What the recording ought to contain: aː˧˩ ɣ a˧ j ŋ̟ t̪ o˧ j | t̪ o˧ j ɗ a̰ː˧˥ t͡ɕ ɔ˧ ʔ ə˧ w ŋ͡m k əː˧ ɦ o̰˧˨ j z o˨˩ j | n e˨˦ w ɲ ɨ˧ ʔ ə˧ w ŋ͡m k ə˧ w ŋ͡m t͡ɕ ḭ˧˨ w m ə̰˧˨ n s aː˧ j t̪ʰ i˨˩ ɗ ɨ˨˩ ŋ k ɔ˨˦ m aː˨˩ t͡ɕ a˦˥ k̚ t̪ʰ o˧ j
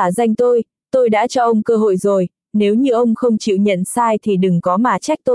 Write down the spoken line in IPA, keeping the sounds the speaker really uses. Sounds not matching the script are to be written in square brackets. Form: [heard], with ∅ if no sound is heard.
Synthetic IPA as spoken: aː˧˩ [z] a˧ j ŋ̟ t̪ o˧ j | t̪ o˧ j ɗ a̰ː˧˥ t͡ɕ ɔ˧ ʔ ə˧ w ŋ͡m k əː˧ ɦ o̰˧˨ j z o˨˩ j | n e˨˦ w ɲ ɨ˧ ʔ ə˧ w ŋ͡m [x] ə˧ w ŋ͡m t͡ɕ ḭ˧˨ w [ɲ] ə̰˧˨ n s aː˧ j t̪ʰ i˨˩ ɗ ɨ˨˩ ŋ k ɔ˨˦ m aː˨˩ t͡ɕ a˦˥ k̚ [t̪] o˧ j